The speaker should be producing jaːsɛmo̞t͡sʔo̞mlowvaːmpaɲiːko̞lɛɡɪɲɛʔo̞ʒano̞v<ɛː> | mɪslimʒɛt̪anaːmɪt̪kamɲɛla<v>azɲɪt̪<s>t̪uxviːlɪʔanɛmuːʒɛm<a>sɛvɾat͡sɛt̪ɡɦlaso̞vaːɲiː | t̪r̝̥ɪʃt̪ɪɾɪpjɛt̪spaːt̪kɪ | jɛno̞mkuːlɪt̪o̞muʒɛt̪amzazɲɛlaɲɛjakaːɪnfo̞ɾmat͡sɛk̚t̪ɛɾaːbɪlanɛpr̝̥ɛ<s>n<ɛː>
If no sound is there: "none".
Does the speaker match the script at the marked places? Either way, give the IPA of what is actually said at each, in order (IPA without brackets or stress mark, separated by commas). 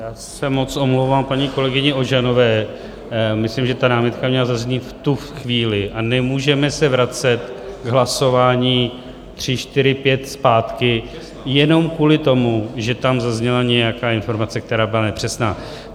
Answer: ɛː, z, f, ɛ, s, aː